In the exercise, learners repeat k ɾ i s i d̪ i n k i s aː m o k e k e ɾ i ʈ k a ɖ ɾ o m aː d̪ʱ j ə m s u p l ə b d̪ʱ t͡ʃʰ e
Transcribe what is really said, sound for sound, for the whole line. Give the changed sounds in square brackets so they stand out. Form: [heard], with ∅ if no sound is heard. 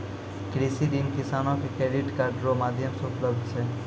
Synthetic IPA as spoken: k ɾ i s i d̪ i n k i s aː [n] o k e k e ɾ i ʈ k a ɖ ɾ o m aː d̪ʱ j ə m s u p l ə b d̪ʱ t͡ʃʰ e

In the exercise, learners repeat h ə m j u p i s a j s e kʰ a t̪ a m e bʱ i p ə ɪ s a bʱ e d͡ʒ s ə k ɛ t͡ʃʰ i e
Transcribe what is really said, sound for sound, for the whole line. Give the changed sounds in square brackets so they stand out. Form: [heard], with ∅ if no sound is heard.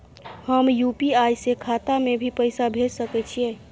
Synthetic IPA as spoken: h ə m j u p i [∅] a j s e kʰ a t̪ a m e bʱ i p ə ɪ s a bʱ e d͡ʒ s ə k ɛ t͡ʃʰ i e

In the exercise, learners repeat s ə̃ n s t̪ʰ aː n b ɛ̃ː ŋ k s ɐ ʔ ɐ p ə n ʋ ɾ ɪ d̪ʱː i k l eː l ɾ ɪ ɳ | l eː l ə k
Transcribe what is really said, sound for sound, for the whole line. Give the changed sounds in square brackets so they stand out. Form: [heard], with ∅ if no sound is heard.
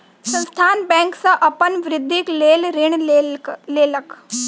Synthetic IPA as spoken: s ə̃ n s t̪ʰ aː n b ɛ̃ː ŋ k s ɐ ʔ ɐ p ə n ʋ ɾ ɪ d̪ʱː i k l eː l ɾ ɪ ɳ | l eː l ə k

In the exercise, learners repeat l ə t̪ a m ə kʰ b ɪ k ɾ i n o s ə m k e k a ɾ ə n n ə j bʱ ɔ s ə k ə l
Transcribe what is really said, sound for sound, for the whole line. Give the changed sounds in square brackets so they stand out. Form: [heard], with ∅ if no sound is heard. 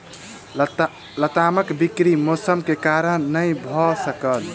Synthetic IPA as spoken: l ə t̪ a m ə [k] b [i] k ɾ i [m] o s ə m k e k a ɾ ə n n ə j bʱ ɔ s ə k ə l

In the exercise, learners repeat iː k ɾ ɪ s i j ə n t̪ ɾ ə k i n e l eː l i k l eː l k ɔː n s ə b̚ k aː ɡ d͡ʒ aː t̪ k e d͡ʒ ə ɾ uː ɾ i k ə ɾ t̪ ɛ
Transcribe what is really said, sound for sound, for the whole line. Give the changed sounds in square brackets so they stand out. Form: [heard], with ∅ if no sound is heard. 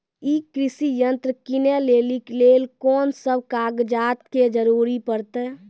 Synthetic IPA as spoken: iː k ɾ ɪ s i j ə n t̪ ɾ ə k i n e l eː l i k l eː l k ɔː n s ə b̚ k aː ɡ d͡ʒ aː t̪ k e d͡ʒ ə ɾ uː ɾ i [p] ə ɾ t̪ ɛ

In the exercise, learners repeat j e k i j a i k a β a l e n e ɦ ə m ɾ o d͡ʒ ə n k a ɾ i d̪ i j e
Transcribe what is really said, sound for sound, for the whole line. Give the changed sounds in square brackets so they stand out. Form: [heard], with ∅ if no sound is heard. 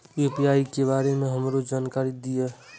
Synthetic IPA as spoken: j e [p] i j a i k [e] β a [ɾ] e [m] e ɦ ə m ɾ o d͡ʒ [a] n k a ɾ i d̪ i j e

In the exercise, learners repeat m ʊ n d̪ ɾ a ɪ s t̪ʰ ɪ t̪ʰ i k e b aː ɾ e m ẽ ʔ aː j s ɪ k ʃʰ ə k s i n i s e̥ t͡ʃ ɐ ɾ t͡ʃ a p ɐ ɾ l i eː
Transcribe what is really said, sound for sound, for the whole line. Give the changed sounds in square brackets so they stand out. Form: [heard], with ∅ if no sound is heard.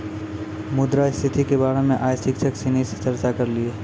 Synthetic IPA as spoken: m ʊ [∅] d̪ ɾ a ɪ s t̪ʰ ɪ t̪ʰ i k e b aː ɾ e m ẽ ʔ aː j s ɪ k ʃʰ ə k s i n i s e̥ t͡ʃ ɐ ɾ t͡ʃ a [k] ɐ ɾ l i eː

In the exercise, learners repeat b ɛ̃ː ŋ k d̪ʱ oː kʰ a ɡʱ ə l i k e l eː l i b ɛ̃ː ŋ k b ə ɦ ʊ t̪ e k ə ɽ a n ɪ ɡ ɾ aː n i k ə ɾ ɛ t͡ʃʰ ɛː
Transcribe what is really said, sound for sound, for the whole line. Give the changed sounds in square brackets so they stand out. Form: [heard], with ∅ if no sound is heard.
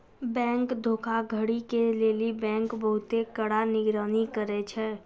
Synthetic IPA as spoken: b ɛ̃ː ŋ k d̪ʱ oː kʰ a ɡʱ ə [ɽ] i k e l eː l i b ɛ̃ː ŋ k b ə ɦ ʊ t̪ e k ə ɽ a n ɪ ɡ ɾ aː n i k ə ɾ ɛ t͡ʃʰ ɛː

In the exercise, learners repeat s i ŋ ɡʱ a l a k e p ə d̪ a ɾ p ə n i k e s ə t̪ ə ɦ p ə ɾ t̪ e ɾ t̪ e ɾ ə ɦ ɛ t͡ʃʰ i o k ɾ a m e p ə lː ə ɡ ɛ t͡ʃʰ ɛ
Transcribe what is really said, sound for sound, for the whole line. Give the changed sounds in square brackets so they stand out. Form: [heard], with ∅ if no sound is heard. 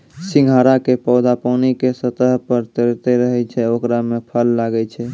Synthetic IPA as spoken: s i ŋ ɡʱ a [ɾ] a k e p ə d̪ a [∅] p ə n i k e s ə t̪ ə ɦ p ə ɾ t̪ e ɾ t̪ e ɾ ə ɦ ɛ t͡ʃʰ [ɛ] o k ɾ a m e [pʰ] ə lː [a] ɡ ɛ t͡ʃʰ ɛ

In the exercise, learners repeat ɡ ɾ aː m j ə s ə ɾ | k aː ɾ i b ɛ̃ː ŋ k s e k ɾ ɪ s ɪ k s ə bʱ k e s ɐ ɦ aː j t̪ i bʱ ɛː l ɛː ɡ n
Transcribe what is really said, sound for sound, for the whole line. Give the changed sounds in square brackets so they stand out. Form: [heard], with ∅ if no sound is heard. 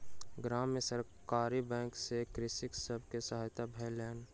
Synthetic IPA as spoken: ɡ ɾ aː m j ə s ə ɾ | k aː ɾ i b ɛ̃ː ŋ k s e k ɾ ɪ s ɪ k s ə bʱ k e s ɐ ɦ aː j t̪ [a] bʱ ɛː l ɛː [∅] n

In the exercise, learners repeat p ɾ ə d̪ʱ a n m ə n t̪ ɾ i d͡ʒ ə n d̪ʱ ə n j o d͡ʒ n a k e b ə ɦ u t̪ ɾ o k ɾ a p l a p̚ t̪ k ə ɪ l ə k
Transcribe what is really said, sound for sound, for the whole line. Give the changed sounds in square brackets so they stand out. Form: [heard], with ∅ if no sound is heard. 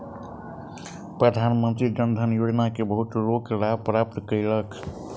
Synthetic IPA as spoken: p ɾ ə d̪ʱ a n m ə n t̪ ɾ i d͡ʒ ə n d̪ʱ ə n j o d͡ʒ n a k e b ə ɦ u t̪ ɾ o k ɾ a p [ɾ] a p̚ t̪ k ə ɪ l ə k

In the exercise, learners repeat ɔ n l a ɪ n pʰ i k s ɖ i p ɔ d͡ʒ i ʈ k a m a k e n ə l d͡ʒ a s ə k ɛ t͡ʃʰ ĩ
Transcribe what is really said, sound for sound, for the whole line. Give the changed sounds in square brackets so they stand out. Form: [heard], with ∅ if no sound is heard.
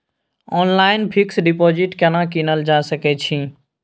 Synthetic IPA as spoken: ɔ n l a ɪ n pʰ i k s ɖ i p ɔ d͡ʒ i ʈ k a [n] a k [i] n ə l d͡ʒ a s ə k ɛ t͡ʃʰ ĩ

